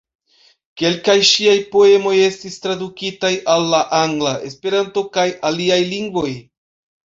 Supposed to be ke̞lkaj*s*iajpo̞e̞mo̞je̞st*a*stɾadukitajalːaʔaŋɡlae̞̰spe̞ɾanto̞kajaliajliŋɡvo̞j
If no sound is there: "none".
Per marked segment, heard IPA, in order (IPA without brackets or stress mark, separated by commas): ʃ, i